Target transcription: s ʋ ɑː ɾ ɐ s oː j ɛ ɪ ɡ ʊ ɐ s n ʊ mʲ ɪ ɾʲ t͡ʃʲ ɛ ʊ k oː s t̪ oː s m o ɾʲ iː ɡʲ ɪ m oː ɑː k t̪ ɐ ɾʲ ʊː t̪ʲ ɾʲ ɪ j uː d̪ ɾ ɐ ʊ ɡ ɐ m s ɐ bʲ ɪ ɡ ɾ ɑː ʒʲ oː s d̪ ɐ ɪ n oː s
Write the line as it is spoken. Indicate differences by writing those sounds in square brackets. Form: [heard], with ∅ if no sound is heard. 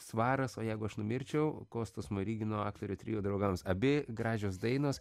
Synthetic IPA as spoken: s ʋ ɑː ɾ ɐ s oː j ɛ ɪ ɡ ʊ ɐ [ʃ] n ʊ mʲ ɪ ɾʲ t͡ʃʲ ɛ ʊ k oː s t̪ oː s m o ɾʲ iː ɡʲ ɪ [n] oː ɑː k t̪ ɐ ɾʲ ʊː t̪ʲ ɾʲ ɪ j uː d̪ ɾ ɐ ʊ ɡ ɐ m s ɐ bʲ ɪ ɡ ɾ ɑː ʒʲ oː s d̪ ɐ ɪ n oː s